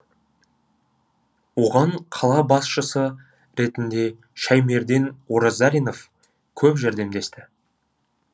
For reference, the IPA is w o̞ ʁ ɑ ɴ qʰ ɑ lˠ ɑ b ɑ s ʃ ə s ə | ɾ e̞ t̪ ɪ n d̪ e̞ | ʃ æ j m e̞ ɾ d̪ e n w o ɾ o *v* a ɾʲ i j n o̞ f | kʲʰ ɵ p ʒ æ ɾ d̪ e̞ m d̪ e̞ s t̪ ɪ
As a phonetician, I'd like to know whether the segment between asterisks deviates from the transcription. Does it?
yes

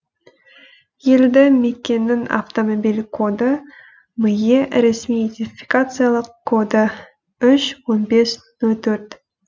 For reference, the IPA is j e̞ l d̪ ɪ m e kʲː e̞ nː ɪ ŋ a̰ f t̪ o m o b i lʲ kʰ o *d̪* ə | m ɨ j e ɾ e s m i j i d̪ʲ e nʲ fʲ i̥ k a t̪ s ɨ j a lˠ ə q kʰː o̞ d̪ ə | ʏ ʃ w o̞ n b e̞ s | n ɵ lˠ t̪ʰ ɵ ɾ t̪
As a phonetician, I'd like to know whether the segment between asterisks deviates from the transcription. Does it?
no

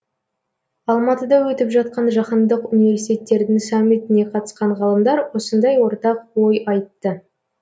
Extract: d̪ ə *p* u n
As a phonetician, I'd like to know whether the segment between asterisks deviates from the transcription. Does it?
yes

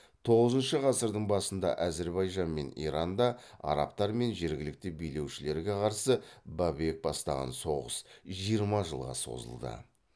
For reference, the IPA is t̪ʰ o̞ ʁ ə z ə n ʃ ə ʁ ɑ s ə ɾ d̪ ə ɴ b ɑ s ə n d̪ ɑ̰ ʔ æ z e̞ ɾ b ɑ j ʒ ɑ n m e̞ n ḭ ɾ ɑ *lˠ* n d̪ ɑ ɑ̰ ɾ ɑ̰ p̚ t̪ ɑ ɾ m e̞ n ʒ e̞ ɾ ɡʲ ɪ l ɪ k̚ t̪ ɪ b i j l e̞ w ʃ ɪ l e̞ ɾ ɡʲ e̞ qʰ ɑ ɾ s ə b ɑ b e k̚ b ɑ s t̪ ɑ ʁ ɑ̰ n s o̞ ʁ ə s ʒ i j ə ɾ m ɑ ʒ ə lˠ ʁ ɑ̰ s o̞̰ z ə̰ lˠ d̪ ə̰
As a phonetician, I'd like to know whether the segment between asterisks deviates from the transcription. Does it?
yes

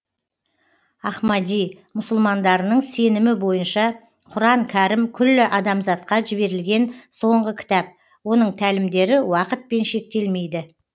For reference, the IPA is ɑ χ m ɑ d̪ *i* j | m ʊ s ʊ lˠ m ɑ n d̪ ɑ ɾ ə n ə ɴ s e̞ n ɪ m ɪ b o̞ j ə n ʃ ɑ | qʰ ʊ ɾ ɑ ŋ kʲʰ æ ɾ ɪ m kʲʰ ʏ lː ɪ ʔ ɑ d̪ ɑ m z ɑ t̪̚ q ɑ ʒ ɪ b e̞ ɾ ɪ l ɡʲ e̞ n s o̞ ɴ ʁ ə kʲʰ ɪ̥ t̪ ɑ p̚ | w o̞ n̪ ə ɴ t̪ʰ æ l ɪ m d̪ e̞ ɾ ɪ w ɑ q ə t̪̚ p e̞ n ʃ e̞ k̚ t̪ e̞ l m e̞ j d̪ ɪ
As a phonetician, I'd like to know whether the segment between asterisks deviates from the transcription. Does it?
no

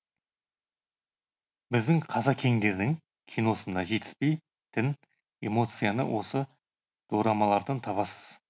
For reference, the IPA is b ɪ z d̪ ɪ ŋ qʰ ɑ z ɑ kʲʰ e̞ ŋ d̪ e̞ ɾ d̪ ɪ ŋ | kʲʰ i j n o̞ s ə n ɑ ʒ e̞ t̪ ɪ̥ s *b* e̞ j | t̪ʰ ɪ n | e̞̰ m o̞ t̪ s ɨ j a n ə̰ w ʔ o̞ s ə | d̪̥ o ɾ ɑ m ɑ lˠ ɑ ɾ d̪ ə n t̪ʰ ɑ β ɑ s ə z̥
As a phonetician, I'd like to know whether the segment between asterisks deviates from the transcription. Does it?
yes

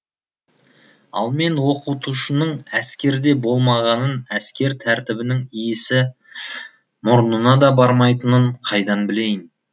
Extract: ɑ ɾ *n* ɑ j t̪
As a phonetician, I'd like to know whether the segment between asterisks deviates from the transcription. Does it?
yes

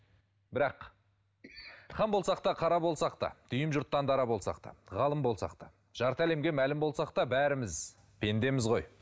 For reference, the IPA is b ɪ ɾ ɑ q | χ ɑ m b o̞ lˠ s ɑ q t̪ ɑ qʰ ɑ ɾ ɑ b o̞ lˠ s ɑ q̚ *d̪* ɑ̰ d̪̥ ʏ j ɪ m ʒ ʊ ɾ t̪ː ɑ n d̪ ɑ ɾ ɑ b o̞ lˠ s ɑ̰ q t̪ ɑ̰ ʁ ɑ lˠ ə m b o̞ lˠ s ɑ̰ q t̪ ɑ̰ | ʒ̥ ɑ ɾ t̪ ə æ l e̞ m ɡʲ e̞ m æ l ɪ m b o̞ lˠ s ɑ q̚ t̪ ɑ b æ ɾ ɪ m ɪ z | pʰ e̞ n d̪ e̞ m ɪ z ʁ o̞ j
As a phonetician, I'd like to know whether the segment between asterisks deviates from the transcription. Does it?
yes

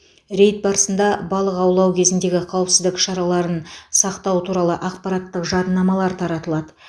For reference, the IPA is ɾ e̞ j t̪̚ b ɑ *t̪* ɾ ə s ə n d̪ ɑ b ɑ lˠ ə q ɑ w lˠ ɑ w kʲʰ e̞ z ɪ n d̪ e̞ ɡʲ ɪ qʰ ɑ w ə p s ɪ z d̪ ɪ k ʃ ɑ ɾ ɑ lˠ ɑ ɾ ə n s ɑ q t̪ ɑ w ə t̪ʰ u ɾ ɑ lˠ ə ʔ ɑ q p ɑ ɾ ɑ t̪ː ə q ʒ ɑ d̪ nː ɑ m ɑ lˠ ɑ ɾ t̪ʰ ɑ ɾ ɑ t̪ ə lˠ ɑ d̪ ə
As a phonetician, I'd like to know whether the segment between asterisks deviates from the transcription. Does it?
yes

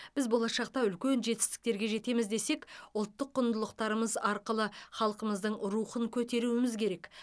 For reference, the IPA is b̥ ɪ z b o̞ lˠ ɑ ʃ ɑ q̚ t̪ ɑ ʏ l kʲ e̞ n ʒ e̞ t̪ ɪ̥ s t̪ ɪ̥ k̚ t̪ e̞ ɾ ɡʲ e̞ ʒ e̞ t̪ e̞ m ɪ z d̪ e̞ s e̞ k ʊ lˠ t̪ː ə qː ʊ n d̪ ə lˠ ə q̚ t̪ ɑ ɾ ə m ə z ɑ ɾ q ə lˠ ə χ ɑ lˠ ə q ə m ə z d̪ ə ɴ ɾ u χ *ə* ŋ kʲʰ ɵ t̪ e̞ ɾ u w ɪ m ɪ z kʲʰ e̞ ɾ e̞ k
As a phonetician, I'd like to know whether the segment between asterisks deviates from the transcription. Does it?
no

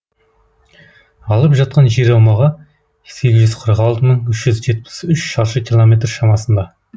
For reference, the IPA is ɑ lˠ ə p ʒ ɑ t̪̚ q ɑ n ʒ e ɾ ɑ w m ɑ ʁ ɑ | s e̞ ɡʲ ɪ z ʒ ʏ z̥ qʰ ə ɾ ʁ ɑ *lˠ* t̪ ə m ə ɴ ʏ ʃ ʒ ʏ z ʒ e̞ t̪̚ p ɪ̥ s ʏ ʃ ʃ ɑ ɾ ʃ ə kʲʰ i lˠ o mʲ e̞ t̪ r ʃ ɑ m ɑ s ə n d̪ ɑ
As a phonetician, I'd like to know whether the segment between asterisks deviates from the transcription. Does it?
no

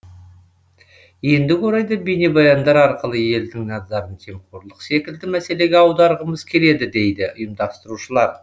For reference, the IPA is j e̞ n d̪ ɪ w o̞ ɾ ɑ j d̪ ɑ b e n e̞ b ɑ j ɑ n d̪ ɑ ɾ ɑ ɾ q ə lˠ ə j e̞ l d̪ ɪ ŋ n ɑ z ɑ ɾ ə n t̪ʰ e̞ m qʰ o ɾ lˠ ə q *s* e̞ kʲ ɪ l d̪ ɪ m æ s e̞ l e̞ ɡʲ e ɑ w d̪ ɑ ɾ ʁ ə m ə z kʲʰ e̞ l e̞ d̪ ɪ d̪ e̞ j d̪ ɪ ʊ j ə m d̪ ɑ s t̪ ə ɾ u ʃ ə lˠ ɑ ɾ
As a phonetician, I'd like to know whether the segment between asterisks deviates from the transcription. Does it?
no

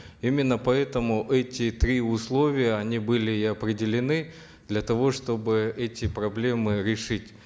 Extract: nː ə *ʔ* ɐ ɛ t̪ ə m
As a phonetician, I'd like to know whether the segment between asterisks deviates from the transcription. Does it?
yes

